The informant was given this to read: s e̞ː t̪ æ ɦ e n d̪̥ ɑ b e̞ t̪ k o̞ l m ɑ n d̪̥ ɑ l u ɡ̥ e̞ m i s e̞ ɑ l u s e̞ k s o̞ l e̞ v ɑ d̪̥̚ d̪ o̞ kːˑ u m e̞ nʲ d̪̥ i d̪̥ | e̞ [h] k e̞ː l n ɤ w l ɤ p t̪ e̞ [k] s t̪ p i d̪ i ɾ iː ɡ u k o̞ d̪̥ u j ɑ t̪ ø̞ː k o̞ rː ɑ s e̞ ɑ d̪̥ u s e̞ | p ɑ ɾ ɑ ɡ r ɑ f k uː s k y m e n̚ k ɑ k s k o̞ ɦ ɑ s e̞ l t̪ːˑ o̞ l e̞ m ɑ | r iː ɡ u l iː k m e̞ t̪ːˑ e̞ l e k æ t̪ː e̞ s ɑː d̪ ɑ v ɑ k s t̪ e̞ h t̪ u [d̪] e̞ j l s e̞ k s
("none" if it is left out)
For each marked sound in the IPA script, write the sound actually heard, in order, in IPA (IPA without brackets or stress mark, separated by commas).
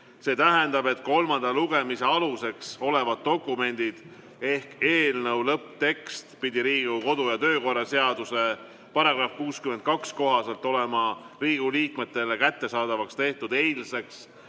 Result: h, k, d̪